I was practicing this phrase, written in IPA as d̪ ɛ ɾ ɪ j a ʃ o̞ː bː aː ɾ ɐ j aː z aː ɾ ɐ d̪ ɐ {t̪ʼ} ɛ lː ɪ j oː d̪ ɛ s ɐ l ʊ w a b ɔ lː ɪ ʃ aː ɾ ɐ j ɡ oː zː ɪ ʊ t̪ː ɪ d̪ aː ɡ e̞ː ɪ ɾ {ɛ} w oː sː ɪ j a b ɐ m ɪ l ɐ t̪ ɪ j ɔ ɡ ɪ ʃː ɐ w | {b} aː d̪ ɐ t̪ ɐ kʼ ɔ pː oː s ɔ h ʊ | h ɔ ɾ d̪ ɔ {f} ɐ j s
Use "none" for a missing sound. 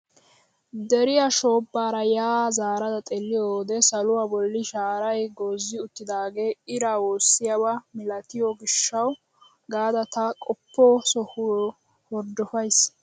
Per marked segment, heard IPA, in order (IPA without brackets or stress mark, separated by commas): t̪ʼ, a, ɡ, f